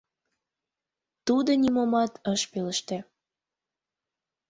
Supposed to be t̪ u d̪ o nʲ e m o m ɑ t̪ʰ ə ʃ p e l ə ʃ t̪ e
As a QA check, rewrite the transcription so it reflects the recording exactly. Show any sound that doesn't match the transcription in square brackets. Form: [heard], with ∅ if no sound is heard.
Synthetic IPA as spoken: t̪ u d̪ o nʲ [i] m o m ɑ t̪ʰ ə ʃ p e l ə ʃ t̪ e